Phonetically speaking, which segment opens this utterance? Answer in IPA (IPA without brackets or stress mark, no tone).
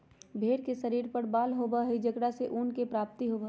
bʱ